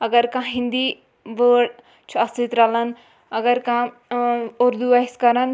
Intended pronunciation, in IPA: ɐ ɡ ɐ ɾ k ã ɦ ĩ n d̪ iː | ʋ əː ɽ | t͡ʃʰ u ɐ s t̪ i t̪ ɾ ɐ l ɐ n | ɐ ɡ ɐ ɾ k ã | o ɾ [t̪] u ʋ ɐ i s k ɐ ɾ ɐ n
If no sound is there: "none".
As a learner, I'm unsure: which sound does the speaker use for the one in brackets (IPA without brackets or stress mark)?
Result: d̪